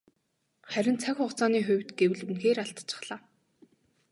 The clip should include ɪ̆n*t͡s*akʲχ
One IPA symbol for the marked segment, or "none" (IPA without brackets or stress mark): t͡sʰ